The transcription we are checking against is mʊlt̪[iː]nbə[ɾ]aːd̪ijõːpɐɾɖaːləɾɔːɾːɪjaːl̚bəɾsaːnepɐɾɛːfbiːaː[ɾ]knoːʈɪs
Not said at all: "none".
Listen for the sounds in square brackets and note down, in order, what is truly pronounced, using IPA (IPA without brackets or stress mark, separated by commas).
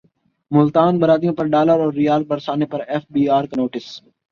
aː, ɾ, ɾ